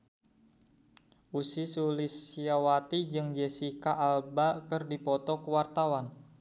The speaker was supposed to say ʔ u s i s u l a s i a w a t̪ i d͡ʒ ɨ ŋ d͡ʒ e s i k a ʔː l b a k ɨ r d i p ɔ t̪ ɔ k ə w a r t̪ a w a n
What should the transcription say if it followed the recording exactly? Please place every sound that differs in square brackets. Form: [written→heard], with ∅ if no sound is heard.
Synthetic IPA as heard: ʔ u s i s u l [a→i] s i a w a t̪ i d͡ʒ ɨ ŋ d͡ʒ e s i k a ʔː l b a k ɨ r d i p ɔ t̪ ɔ k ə w a r t̪ a w a n